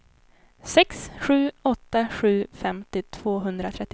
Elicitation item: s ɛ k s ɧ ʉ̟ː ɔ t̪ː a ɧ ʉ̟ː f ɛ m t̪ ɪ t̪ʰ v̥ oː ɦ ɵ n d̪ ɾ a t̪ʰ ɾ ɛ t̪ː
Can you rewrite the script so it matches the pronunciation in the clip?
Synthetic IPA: s ɛ k s ɧ ʉ̟ː ɔ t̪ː a ɧ ʉ̟ː f ɛ m t̪ ɪ t̪ʰ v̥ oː ɦ ɵ n d̪ ɾ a t̪ʰ ɾ ɛ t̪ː